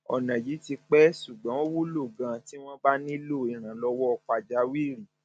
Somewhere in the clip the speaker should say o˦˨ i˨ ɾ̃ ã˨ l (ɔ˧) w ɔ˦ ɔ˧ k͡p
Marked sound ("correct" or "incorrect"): correct